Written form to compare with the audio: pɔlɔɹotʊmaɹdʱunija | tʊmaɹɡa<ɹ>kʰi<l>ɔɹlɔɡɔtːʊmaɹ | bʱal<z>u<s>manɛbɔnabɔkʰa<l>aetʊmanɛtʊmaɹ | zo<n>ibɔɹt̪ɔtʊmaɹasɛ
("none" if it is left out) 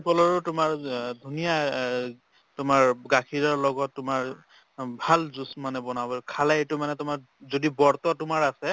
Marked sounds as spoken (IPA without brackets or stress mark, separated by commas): none, ɹ, z, s, l, d